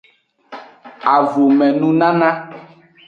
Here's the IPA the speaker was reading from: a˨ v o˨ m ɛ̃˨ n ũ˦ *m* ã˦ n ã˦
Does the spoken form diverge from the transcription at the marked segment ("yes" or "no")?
yes